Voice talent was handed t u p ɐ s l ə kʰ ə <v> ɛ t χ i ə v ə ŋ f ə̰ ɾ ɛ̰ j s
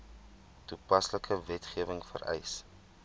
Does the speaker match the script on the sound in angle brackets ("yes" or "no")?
yes